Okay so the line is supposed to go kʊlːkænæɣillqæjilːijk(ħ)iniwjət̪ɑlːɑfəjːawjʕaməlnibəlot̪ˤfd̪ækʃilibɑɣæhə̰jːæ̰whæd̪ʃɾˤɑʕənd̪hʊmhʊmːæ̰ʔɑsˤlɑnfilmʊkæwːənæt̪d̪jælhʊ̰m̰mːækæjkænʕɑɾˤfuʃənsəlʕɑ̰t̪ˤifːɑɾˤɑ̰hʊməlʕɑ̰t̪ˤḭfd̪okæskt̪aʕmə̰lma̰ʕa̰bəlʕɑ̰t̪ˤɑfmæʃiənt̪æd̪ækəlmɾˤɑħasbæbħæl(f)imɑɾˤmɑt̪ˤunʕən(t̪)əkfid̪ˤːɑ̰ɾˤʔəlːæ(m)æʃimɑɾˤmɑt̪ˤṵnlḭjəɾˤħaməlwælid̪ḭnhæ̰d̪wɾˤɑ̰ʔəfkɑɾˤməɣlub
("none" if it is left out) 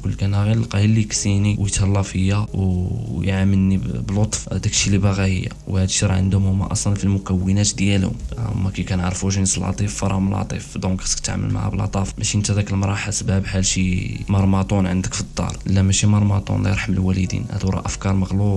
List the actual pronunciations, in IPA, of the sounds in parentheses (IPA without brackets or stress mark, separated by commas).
s, ʃ, d̪, m